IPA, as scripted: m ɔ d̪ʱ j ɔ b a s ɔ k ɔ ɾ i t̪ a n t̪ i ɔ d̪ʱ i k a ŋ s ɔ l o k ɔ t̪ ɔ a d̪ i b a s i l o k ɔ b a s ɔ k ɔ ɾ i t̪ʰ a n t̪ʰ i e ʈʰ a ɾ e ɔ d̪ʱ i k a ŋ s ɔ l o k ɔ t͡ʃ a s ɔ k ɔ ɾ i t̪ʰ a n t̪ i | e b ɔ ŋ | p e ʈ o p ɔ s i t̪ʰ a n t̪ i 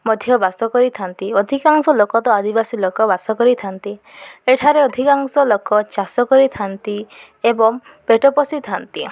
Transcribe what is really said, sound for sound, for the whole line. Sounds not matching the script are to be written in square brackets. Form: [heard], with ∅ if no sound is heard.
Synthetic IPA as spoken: m ɔ d̪ʱ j ɔ b a s ɔ k ɔ ɾ i [t̪ʰ] a n t̪ i ɔ d̪ʱ i k a ŋ s ɔ l o k ɔ t̪ ɔ a d̪ i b a s i l o k ɔ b a s ɔ k ɔ ɾ i t̪ʰ a n [t̪] i e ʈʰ a ɾ e ɔ d̪ʱ i k a ŋ s ɔ l o k ɔ t͡ʃ a s ɔ k ɔ ɾ i t̪ʰ a n t̪ i | e b ɔ ŋ | p e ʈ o p ɔ s i t̪ʰ a n t̪ i